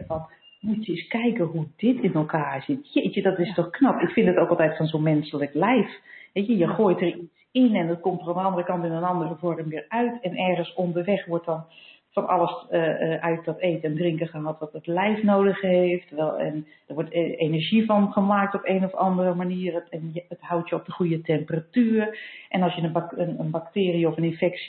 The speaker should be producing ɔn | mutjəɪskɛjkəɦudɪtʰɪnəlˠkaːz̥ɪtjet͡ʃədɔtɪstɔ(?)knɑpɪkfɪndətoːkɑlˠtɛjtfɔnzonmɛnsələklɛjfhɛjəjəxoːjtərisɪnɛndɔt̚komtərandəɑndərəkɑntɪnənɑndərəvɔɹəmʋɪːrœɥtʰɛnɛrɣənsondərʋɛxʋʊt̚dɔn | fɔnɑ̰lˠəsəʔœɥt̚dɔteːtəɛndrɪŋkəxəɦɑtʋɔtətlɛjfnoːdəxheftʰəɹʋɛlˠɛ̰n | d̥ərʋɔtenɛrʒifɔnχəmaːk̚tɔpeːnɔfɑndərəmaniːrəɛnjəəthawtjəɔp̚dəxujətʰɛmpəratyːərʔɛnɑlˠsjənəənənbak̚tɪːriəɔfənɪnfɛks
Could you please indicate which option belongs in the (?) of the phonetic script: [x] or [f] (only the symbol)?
x